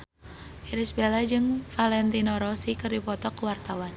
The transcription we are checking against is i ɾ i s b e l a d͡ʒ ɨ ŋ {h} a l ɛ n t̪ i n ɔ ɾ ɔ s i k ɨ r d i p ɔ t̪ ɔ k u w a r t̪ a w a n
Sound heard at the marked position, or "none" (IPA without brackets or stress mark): f